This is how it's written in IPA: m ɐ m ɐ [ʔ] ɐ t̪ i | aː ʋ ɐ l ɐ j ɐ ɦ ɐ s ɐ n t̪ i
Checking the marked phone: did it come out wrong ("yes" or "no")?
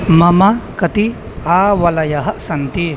yes